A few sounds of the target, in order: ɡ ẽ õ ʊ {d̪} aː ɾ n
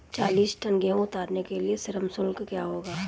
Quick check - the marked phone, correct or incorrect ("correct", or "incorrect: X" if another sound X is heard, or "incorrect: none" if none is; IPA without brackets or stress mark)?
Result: incorrect: t̪